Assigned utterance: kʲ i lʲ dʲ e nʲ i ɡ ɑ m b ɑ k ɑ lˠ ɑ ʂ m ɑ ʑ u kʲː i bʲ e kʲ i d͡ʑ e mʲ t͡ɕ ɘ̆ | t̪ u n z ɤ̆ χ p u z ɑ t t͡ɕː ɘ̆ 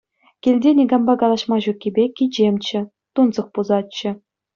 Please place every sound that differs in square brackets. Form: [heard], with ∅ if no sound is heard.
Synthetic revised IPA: kʲ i lʲ dʲ e nʲ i ɡ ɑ m b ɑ k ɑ lˠ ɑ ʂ m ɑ ʑ u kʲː i bʲ e kʲ i d͡ʑ e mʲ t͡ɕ ɘ̆ | t̪ u n z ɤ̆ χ p u z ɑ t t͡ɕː ɘ̆